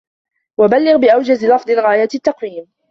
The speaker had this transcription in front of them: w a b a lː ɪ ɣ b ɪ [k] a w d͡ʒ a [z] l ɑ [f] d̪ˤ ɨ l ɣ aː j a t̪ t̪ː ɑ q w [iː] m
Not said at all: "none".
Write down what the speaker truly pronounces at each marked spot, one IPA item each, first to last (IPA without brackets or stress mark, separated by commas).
ʔ, z, f, iː